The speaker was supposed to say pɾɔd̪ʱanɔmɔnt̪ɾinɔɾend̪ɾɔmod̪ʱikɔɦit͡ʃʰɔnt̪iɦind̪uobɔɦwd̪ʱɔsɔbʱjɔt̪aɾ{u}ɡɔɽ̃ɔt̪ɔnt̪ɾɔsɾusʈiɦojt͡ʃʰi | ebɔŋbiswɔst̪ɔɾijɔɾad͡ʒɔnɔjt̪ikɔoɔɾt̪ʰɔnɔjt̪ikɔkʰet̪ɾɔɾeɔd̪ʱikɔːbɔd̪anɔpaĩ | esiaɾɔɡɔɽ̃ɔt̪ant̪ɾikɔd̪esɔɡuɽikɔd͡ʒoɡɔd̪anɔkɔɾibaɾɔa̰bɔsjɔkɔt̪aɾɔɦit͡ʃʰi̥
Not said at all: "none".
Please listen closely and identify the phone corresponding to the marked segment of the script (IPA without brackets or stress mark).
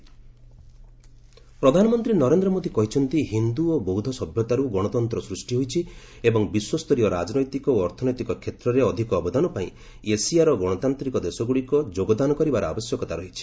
u